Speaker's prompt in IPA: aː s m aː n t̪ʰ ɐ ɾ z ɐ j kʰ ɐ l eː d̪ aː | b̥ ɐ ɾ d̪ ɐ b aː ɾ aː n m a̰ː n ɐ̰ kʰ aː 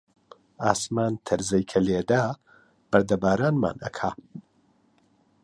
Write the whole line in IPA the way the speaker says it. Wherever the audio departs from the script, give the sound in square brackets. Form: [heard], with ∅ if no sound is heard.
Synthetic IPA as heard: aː s m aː n t̪ʰ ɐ ɾ z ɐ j kʰ ɐ l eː d̪ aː | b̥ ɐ ɾ d̪ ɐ b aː ɾ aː n m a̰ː n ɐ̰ kʰ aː